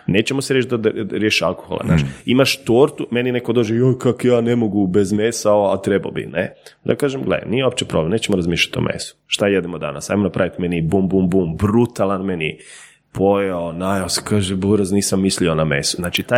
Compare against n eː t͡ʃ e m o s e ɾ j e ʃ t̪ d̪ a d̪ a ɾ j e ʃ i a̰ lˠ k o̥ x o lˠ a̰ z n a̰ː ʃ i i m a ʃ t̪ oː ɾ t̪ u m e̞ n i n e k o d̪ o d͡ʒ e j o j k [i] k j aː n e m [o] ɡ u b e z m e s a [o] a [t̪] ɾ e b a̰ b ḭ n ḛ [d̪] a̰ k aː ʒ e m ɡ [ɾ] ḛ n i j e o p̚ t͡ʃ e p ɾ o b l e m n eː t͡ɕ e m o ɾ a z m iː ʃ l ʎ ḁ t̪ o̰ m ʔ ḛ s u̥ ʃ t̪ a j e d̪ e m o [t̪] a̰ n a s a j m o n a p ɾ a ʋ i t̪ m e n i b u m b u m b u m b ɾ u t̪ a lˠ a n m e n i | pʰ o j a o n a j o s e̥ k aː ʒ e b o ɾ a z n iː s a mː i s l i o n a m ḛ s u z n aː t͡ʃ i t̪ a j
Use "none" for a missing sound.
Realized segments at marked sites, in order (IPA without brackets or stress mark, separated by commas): a, o, o, t̪, d̪, l, d̪